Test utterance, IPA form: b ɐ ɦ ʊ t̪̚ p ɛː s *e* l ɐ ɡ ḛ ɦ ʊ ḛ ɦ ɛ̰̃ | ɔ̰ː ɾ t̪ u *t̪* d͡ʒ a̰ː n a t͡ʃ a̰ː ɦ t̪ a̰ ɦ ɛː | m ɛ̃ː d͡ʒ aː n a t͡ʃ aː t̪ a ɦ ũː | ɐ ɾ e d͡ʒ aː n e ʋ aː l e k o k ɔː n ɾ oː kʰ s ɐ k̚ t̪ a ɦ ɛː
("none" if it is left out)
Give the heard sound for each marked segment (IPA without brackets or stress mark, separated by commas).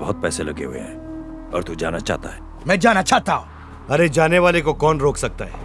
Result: e, none